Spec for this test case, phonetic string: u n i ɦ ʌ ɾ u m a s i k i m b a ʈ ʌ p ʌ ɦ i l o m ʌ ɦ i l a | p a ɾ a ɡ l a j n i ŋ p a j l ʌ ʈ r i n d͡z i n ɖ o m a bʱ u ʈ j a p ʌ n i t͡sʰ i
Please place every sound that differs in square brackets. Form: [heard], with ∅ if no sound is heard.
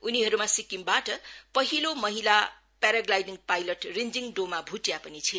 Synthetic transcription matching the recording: u n i ɦ ʌ ɾ u m a s i k i m b a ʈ ʌ p ʌ ɦ i l o m ʌ ɦ i l a | p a ɾ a ɡ l a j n i ŋ p a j l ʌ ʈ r i n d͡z i [ŋ] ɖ o m a bʱ u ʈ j a p ʌ n i t͡sʰ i